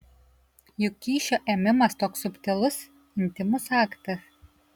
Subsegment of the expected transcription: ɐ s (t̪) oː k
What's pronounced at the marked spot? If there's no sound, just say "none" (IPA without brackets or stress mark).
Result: t̪